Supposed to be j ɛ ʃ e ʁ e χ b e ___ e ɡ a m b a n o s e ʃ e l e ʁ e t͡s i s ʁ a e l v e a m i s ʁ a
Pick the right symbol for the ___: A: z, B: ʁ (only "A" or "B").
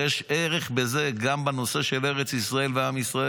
A